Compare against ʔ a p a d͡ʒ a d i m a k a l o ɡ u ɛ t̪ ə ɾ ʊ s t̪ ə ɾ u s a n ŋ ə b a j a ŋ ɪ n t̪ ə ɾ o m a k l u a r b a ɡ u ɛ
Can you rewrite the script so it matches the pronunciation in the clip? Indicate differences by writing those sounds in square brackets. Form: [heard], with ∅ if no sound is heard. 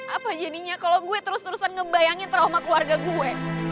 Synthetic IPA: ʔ a p a d͡ʒ a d i [ɲ] a k a l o ɡ u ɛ t̪ ə ɾ ʊ s t̪ ə ɾ u s a n ŋ ə b a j a ŋ ɪ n t̪ ə ɾ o m a k l u a r [ɡ] a ɡ u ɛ